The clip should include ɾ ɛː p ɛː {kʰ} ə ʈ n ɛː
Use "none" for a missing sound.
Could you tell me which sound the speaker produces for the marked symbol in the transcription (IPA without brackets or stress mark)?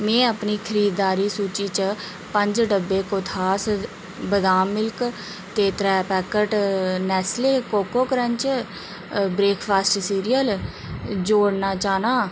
k